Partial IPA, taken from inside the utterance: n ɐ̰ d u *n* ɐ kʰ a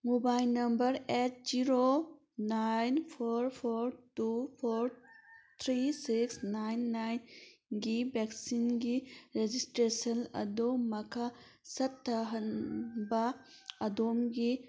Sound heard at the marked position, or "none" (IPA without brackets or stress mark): m